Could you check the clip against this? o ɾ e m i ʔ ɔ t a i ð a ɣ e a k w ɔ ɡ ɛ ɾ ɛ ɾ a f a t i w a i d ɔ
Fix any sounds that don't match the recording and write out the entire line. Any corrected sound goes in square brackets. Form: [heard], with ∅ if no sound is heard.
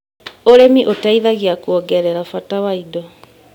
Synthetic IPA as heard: o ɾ e m i ʔ [o] t a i ð a ɣ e a k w ɔ ɡ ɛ ɾ ɛ ɾ a f a t [a] w a i d ɔ

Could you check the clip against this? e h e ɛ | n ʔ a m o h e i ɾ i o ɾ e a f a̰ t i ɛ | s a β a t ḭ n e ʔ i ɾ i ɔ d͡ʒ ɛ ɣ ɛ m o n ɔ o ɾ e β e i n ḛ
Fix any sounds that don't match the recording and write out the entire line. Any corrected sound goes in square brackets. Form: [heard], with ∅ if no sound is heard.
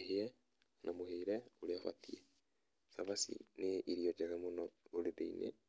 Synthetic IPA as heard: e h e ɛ | n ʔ a m o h e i ɾ [ɛ] o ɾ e a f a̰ t i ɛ | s a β a [s] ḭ n e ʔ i ɾ i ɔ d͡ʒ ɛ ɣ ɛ m o n ɔ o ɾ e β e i n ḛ

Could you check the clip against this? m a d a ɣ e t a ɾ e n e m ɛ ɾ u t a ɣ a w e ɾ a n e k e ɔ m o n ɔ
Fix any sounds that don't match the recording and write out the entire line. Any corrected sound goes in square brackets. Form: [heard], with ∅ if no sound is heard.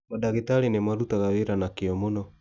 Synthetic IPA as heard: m a d a ɣ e t a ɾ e n e m [a] ɾ u t a ɣ a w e ɾ a n [a] k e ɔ m o n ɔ

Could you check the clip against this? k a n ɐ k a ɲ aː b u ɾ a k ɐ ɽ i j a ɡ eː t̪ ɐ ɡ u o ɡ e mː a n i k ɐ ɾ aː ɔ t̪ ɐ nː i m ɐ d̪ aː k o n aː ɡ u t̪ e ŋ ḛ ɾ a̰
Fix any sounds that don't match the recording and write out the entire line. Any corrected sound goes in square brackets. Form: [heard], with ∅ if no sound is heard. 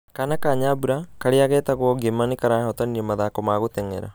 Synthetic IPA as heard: k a n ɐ k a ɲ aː b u ɾ a k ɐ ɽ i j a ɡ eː t̪ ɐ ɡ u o ɡ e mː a n i k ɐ ɾ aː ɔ t̪ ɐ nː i m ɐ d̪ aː k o [m] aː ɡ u t̪ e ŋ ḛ ɾ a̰

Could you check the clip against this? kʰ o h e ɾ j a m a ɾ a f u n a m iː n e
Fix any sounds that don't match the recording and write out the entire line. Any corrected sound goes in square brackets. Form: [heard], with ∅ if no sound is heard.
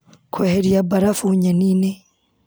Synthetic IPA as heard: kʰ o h e ɾ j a [b] a ɾ a f u [ɲ] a [n] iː n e

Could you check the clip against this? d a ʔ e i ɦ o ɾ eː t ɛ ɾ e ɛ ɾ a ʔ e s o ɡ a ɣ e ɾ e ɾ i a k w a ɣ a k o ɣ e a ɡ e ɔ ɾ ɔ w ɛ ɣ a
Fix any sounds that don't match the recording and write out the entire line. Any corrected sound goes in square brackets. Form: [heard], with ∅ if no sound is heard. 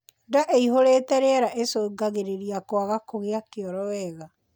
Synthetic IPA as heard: d a ʔ e i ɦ o ɾ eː t ɛ ɾ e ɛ ɾ a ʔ e s o ɡ a ɣ e ɾ e ɾ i a k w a ɣ a k o ɣ e a [k] e ɔ ɾ ɔ w ɛ ɣ a

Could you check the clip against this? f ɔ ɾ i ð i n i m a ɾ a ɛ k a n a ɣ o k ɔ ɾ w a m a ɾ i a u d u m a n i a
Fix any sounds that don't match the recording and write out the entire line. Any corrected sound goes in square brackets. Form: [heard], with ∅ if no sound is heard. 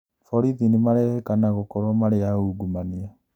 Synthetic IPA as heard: f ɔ ɾ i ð i n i m a ɾ [ɛ] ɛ k a n a ɣ o k ɔ ɾ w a m a ɾ [e] a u [ɡ] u m a n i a

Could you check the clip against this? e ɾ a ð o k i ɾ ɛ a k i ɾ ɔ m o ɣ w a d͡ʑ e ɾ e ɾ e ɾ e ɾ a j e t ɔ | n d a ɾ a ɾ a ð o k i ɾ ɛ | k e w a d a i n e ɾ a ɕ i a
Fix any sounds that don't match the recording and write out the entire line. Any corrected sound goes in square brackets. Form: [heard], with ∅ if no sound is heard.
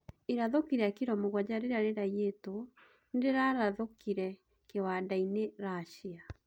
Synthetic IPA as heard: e ɾ a ð o k i ɾ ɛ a k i ɾ ɔ m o ɣ w a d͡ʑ [a] ɾ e ɾ [a] ɾ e ɾ a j e t [o] | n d [e] ɾ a ɾ a ð o k i ɾ ɛ | k e w a d a i n e ɾ a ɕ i a

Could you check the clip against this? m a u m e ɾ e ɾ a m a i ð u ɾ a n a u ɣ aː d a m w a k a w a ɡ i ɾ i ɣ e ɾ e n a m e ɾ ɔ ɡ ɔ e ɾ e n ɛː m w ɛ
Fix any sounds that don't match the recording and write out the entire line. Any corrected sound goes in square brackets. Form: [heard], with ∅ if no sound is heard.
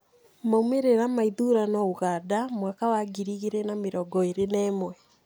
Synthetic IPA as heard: m a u m e ɾ e ɾ a m a i ð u ɾ a n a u ɣ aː d a m w a k a w a ɡ i ɾ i ɣ e ɾ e n a m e ɾ ɔ ɡ ɔ e ɾ e n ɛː m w ɛ

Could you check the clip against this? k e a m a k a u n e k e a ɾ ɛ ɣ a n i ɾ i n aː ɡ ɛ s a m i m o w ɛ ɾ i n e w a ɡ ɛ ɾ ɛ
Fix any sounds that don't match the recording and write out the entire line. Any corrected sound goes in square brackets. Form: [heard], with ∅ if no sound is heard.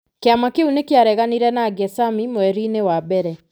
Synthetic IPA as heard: k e a m a k [e] u n e k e a ɾ ɛ ɣ a n i ɾ [ɛ] n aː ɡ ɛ s a m i m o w ɛ ɾ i n e w a [b] ɛ ɾ ɛ

